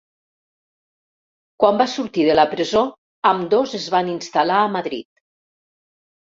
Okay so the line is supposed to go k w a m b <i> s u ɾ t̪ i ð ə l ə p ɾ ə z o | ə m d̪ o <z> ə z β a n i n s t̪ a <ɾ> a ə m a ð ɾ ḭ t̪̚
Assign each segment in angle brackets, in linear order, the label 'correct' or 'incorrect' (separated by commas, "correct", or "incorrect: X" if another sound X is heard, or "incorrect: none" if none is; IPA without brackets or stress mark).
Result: incorrect: a, correct, incorrect: l